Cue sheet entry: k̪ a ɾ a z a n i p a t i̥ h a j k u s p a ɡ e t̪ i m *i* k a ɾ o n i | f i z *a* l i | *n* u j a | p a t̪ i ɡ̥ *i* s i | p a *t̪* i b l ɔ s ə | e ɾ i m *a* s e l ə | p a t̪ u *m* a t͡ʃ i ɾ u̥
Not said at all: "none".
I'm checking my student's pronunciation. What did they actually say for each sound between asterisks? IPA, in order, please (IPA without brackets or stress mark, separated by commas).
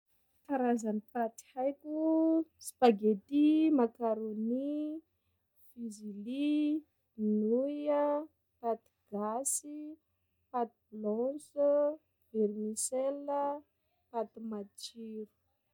a, i, n, a, t̪, i, m